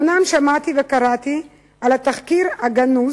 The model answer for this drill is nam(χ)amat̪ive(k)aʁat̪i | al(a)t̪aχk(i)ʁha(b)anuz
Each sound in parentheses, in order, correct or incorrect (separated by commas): incorrect, correct, correct, correct, incorrect